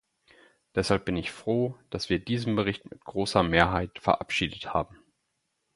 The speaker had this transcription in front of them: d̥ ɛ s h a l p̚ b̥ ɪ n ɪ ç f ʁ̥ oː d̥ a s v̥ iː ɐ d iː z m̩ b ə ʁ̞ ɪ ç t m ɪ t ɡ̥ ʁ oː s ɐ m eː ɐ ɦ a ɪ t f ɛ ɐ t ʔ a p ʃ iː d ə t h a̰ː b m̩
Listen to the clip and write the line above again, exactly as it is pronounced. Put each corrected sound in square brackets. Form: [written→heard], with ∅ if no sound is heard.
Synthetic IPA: d̥ ɛ s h a l p̚ b̥ ɪ n ɪ ç f ʁ̥ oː d̥ a s v̥ iː ɐ d iː z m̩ b ə ʁ̞ ɪ ç t m ɪ t ɡ̥ ʁ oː s ɐ m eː ɐ ɦ a ɪ t f ɛ ɐ [t→∅] ʔ a p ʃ iː d ə t h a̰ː b m̩